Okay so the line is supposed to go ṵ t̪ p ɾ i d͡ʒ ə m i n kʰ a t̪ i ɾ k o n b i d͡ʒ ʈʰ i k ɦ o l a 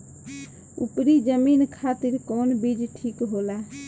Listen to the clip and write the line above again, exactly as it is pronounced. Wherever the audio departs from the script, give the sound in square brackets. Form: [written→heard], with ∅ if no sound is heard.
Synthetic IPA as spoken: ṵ [t̪→∅] p ɾ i d͡ʒ ə m i n kʰ a t̪ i ɾ k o n b i d͡ʒ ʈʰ i k ɦ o l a